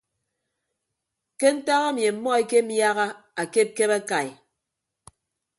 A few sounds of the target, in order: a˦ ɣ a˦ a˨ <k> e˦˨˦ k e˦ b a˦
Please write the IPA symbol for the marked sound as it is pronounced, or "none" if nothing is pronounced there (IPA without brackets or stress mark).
k